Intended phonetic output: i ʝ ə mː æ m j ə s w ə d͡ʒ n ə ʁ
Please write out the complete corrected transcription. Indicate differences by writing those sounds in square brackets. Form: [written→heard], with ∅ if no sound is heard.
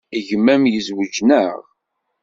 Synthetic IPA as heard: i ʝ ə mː æ m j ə [s→z] w ə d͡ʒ n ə ʁ